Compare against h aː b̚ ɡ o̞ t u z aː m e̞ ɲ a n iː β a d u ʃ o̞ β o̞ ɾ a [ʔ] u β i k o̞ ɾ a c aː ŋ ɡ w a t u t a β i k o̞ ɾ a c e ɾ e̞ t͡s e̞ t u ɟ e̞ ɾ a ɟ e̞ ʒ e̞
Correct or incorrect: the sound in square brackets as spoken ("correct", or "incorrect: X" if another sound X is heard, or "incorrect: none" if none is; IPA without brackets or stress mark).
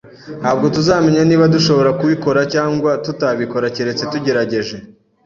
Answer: incorrect: k